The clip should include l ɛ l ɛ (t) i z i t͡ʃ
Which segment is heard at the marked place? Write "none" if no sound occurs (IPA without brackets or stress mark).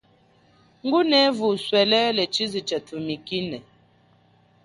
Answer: t͡ʃ